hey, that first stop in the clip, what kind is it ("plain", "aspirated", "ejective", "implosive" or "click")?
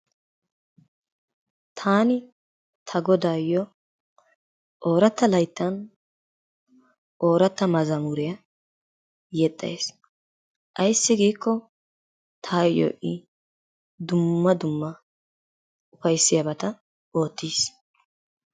aspirated